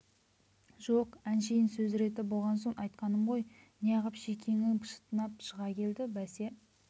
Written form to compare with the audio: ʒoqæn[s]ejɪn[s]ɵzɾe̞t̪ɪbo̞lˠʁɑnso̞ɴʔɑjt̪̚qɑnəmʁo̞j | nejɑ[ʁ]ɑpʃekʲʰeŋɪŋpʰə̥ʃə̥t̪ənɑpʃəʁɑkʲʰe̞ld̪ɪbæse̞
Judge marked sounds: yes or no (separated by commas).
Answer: no, yes, yes